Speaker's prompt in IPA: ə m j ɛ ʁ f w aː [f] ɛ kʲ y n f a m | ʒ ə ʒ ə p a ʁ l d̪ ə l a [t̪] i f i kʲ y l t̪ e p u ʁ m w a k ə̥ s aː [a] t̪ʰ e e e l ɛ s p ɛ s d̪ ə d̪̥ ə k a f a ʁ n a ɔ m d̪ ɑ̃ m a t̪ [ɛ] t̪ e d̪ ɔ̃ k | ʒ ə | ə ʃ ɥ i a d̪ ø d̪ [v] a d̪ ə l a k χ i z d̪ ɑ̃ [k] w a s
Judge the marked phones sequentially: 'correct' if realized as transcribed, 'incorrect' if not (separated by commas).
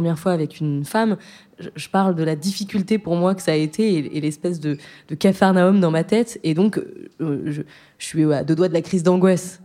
incorrect, incorrect, incorrect, correct, incorrect, incorrect